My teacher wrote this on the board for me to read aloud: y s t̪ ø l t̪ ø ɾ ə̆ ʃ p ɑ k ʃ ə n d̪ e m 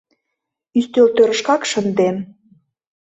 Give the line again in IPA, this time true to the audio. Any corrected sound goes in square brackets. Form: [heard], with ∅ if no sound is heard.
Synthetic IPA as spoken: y s t̪ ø l t̪ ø ɾ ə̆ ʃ [k] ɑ k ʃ ə n d̪ e m